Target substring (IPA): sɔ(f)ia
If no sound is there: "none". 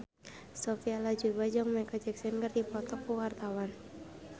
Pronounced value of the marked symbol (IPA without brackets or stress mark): f